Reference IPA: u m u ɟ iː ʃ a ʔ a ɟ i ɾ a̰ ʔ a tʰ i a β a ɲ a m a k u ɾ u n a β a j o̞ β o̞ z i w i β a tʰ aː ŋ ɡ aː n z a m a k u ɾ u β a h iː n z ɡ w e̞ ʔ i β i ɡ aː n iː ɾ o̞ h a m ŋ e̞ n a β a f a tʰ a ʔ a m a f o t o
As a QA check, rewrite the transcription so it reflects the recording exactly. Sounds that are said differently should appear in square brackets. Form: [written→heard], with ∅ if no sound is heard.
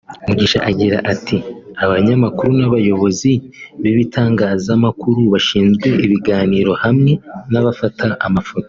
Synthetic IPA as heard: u m u ɟ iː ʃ a ʔ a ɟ i ɾ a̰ ʔ a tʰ i a β a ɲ a m a k u ɾ u n a β a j o̞ β o̞ z i [w→β] i β [a→i] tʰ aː ŋ ɡ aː [n→∅] z a m a k u ɾ u β a [h→ʃ] iː n z ɡ w e̞ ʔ i β i ɡ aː n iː ɾ o̞ h a m ŋ e̞ n a β a f a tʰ a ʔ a m a f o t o

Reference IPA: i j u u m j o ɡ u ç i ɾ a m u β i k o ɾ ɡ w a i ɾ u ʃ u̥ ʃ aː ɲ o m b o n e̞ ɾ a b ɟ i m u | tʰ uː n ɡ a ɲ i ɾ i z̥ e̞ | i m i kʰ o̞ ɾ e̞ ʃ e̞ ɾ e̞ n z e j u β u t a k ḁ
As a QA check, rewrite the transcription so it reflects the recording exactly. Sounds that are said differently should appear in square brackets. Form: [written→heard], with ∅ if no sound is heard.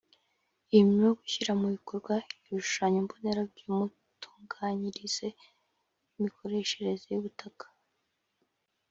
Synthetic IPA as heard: i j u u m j o ɡ u ç i ɾ a m u β i k o ɾ ɡ w a i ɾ u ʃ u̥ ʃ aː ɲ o m b o n e̞ ɾ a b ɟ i m u | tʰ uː [n→ŋ] ɡ a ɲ i ɾ i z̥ e̞ | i m i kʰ o̞ ɾ e̞ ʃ e̞ ɾ e̞ [n→∅] z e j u β u t a k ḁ

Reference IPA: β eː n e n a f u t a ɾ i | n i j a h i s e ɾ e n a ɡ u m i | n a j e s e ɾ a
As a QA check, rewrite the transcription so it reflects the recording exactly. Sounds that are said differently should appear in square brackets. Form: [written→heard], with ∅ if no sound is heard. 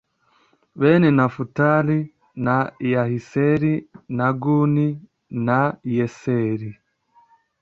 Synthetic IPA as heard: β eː n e n a f u t a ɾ i | n [i→a] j a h i s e ɾ [e→i] n a ɡ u [m→n] i | n a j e s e ɾ [a→i]

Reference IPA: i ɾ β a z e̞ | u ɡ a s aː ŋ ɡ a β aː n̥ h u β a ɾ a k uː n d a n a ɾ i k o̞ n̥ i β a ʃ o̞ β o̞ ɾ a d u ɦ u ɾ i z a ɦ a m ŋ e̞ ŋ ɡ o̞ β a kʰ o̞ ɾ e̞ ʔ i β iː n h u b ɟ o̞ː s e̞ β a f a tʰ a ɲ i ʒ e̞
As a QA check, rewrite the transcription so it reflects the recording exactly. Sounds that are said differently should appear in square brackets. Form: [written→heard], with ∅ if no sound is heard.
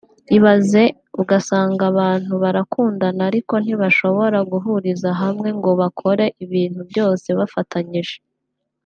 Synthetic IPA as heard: i [ɾ→∅] β a z e̞ | u ɡ a s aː ŋ ɡ a β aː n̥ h u β a ɾ a k uː n d a n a ɾ i k o̞ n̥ i β a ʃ o̞ β o̞ ɾ a [d→ɡ] u ɦ u ɾ i z a ɦ a m ŋ e̞ ŋ ɡ o̞ β a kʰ o̞ ɾ e̞ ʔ i β iː n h u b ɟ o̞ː s e̞ β a f a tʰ a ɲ i ʒ e̞

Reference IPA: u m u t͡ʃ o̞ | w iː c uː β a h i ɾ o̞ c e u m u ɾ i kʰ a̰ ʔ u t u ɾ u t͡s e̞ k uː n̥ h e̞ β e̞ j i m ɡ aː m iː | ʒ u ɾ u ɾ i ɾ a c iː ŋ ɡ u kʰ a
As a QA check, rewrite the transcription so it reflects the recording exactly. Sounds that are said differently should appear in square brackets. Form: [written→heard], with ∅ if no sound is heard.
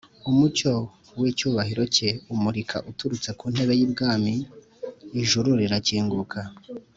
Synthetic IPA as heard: u m u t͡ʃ o̞ | w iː c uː β a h i ɾ o̞ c e u m u ɾ i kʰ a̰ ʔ u t u ɾ u t͡s e̞ k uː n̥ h e̞ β e̞ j i [m→b] ɡ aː m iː | ʒ u ɾ u ɾ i ɾ a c iː ŋ ɡ u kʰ a

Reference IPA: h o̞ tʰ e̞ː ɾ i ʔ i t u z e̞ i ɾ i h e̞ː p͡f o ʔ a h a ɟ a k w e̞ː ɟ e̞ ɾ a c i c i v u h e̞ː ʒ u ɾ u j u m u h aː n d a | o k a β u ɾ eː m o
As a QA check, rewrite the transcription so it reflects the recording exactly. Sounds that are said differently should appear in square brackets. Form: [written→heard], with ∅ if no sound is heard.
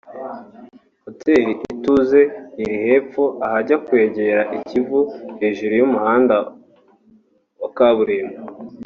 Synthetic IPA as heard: h o̞ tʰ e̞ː ɾ i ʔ i t u z e̞ i ɾ i h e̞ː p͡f o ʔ a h a ɟ a k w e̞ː ɟ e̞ ɾ a [c→ʔ] i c i v u h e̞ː ʒ u ɾ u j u m u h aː n d a | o k a β u ɾ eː m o

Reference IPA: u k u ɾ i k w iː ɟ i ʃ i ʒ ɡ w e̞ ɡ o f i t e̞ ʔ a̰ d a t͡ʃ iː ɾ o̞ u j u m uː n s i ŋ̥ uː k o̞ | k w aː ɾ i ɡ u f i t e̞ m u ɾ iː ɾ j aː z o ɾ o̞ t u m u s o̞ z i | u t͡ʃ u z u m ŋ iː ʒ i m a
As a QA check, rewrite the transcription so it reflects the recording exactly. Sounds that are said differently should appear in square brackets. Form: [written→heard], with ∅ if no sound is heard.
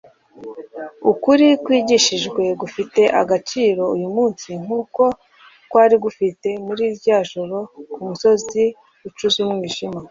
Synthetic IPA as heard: u k u ɾ i k w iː ɟ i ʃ i ʒ ɡ w e̞ ɡ [o→u] f i t e̞ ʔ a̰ [d→ɡ] a t͡ʃ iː ɾ o̞ u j u m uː n s i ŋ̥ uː k o̞ | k w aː ɾ i ɡ u f i t e̞ m u ɾ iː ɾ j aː [z→ʒ] o ɾ o̞ [t→k] u m u s o̞ z i | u t͡ʃ u z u m ŋ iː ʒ i m a

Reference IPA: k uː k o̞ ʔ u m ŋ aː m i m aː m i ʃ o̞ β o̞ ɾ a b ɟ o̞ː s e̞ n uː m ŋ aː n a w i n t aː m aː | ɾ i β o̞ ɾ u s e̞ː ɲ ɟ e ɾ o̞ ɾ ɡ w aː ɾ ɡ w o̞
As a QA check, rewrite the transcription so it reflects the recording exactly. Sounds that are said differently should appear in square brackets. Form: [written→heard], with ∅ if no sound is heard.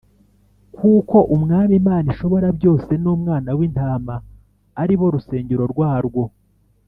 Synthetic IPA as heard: k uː k o̞ ʔ u m ŋ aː m i m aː [m→n] i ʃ o̞ β o̞ ɾ a b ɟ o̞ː s e̞ n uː m ŋ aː n a w i n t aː m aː | ɾ i β o̞ ɾ u s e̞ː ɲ ɟ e ɾ o̞ ɾ ɡ w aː ɾ ɡ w o̞

